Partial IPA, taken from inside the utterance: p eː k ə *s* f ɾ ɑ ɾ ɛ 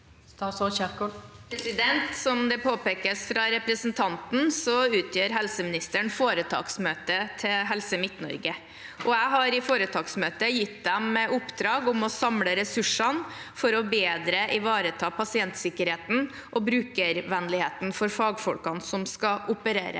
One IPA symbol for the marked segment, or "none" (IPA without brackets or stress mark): s